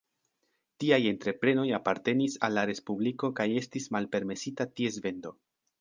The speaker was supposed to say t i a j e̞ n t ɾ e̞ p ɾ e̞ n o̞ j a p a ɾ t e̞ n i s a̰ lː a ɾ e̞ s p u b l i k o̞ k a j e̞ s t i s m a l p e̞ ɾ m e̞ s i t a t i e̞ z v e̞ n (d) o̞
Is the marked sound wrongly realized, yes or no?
no